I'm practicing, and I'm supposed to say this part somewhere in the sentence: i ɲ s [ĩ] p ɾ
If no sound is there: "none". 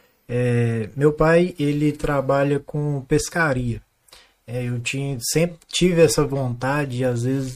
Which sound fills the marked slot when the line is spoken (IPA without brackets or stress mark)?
ẽ